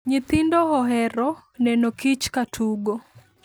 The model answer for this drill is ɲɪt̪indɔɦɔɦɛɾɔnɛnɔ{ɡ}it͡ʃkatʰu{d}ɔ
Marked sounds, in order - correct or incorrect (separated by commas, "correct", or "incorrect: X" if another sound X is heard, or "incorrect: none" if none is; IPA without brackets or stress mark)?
incorrect: k, incorrect: ɡ